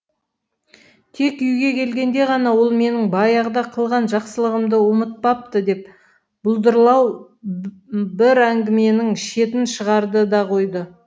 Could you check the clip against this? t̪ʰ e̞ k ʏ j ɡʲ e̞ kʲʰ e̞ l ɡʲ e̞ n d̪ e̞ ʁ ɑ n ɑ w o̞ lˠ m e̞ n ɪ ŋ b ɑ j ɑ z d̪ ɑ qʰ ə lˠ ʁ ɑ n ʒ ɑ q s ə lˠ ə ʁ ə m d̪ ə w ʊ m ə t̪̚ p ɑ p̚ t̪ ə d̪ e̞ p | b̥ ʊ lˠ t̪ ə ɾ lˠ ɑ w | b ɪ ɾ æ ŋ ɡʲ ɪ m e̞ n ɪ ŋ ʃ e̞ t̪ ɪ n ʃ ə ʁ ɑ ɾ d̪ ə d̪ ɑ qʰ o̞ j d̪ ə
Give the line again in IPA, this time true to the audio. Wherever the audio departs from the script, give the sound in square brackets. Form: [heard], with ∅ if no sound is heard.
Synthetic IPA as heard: t̪ʰ e̞ k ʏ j ɡʲ e̞ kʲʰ e̞ l ɡʲ e̞ n d̪ e̞ ʁ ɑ n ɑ w o̞ lˠ m e̞ n ɪ ŋ b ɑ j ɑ [ʁ] d̪ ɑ qʰ ə lˠ ʁ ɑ n ʒ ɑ q s ə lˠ ə ʁ ə m d̪ ə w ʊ m ə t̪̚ p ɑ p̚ t̪ ə d̪ e̞ p | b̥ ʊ lˠ [d̪] ə ɾ lˠ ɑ w | b ɪ ɾ æ ŋ ɡʲ ɪ m e̞ n ɪ ŋ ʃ e̞ t̪ ɪ n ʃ ə ʁ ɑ ɾ d̪ ə d̪ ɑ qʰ o̞ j d̪ ə